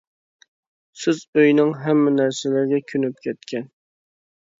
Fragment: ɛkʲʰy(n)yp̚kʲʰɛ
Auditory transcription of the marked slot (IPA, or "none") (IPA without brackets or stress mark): n